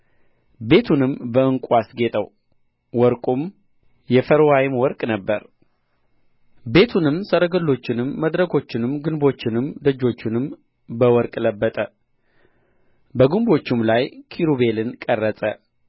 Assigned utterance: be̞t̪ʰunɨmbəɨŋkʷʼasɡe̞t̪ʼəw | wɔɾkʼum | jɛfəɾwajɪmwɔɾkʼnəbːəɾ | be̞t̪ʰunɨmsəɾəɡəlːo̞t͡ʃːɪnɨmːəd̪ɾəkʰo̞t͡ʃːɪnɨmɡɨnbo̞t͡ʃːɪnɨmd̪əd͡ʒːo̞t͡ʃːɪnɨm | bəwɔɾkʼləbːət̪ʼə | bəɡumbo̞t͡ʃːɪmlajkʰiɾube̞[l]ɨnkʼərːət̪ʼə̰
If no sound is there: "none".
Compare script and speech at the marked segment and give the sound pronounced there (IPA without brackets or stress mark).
l